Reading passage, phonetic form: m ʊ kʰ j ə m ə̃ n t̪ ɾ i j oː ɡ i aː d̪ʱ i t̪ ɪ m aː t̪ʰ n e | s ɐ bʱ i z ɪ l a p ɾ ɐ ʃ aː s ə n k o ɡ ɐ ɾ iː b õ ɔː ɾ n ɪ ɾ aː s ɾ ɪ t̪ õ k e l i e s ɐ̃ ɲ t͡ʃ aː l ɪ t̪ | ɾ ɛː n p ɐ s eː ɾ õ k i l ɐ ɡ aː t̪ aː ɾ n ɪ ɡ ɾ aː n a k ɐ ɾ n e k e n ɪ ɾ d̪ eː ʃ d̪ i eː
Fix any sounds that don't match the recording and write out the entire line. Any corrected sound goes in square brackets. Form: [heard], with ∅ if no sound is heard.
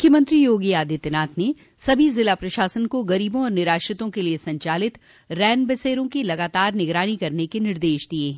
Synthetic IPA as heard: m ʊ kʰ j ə m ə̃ n t̪ ɾ i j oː ɡ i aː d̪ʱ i t̪ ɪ [n] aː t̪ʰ n e | s ɐ bʱ i z ɪ l a p ɾ ɐ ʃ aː s ə n k o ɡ ɐ ɾ iː b õ ɔː ɾ n ɪ ɾ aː [ʃ] ɾ ɪ t̪ õ k e l i e s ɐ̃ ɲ t͡ʃ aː l ɪ t̪ | ɾ ɛː n [b] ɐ s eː ɾ õ k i l ɐ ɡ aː t̪ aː ɾ n ɪ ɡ ɾ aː n [i] k ɐ ɾ n e k e n ɪ ɾ d̪ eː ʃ d̪ i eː

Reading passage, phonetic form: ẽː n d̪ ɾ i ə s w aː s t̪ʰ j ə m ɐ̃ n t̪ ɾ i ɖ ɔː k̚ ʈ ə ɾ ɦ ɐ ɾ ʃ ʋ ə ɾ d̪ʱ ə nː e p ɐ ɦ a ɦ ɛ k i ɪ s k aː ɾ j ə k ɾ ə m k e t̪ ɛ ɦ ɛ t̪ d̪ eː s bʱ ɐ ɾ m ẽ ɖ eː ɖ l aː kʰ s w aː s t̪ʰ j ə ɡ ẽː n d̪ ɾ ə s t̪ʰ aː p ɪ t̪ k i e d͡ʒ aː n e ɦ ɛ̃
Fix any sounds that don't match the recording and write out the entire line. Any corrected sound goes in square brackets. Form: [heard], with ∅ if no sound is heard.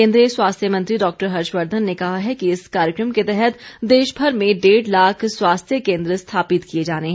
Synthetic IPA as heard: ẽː n d̪ ɾ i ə s w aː s t̪ʰ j ə m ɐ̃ n t̪ ɾ i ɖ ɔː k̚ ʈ ə ɾ ɦ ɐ ɾ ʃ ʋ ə ɾ d̪ʱ ə nː e [k] ɐ ɦ a ɦ ɛ k i ɪ s k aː ɾ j ə k ɾ ə m k e t̪ ɛ ɦ ɛ t̪ d̪ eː [ʃ] bʱ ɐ ɾ m ẽ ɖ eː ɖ l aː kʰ s w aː s t̪ʰ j ə [k] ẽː n d̪ ɾ ə s t̪ʰ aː p ɪ t̪ k i e d͡ʒ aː n e ɦ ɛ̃

